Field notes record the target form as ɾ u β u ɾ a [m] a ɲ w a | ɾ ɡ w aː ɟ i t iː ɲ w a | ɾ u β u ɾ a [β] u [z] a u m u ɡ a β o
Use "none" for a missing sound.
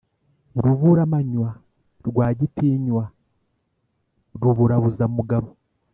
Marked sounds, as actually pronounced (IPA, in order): m, β, z

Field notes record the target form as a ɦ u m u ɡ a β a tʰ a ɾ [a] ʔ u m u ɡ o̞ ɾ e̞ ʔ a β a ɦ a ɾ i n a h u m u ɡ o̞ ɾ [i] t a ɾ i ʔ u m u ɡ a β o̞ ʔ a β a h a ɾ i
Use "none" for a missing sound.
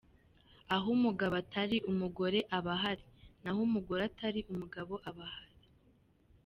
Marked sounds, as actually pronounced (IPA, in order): i, a

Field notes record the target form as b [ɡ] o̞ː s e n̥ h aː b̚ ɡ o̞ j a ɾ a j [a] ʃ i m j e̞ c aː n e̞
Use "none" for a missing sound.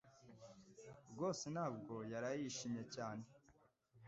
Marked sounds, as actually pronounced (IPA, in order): ɡ, i

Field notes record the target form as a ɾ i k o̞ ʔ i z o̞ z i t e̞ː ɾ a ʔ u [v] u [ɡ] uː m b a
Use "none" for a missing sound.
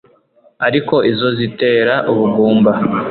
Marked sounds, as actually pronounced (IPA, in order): β, ɡ

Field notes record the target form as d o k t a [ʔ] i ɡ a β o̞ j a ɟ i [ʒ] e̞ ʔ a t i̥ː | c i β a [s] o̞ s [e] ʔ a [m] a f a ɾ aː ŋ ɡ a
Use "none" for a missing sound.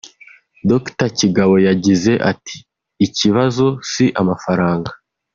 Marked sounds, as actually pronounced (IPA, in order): c, z, z, i, m

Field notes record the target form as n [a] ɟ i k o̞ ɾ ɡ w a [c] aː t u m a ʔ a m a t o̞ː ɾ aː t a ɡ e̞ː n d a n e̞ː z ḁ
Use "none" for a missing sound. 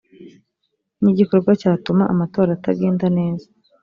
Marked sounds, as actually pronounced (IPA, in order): i, c

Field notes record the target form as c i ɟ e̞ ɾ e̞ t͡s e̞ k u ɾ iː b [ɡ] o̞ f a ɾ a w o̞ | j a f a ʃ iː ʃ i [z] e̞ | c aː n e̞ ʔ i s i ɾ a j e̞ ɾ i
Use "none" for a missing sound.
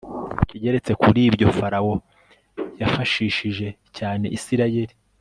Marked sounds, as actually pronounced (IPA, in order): ɟ, ʒ

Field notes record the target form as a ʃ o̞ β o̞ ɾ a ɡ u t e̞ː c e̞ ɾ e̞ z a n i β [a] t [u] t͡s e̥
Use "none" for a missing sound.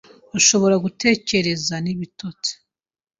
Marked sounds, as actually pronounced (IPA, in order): i, o

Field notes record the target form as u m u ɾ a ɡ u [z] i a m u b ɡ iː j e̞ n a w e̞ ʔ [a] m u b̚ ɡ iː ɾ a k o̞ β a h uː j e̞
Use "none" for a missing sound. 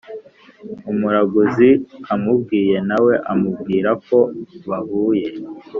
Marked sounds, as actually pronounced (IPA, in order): z, a

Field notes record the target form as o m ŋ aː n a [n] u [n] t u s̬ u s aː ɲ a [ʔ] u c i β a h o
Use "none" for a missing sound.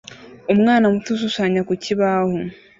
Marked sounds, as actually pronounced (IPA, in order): m, none, k

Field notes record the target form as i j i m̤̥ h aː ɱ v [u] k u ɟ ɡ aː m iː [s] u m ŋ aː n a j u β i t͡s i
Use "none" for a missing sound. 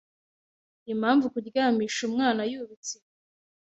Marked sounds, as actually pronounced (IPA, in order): u, ʃ

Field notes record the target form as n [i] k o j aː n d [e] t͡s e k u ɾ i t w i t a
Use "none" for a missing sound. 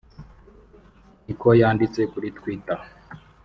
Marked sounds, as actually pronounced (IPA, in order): i, i

